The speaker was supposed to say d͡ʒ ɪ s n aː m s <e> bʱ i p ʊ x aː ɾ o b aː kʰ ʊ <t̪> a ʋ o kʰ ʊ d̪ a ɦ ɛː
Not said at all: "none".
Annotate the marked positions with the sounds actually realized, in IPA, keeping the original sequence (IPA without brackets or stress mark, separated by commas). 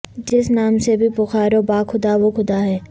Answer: e, d̪